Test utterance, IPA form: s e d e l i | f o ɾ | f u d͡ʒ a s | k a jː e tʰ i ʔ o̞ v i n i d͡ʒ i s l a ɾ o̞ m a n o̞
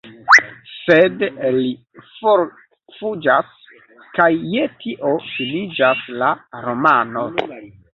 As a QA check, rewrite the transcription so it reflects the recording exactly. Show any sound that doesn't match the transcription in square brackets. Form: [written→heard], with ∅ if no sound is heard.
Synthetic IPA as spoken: s e d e l i | f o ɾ | f u d͡ʒ a s | k a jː e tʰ i ʔ o̞ [v→f] i n i d͡ʒ [i→a] s l a ɾ o̞ m a n o̞